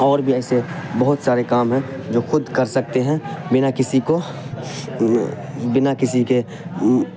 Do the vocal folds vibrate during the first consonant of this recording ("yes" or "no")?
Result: yes